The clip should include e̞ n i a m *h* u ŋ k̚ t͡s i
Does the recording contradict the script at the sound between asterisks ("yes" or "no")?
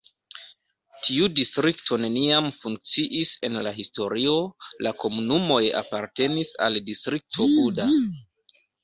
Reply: yes